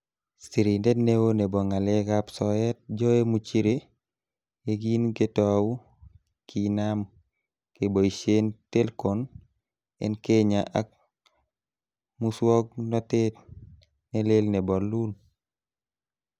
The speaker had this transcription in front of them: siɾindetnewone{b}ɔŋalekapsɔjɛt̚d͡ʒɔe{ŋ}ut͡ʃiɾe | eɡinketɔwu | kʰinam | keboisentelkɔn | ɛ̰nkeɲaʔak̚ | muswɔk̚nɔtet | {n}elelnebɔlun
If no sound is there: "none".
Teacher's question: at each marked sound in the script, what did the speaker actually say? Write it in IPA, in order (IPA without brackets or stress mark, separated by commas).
b, m, n